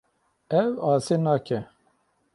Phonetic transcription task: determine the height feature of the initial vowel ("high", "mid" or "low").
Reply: mid